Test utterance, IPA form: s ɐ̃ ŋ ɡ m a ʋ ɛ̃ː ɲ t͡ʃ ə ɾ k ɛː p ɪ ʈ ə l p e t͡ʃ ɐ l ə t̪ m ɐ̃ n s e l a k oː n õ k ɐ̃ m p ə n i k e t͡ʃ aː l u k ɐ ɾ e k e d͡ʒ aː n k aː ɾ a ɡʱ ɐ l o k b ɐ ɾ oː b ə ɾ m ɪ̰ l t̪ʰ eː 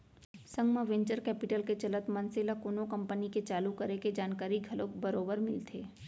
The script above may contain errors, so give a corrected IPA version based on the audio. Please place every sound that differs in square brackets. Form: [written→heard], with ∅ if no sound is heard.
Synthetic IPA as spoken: s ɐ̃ ŋ ɡ m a ʋ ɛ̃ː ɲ t͡ʃ ə ɾ k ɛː p ɪ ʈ ə l [p→k] e t͡ʃ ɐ l ə t̪ m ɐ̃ n s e l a k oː n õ k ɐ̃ m p ə n i k e t͡ʃ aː l u k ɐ ɾ e k e d͡ʒ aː n k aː ɾ [a→i] ɡʱ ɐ l o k b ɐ ɾ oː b ə ɾ m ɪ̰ l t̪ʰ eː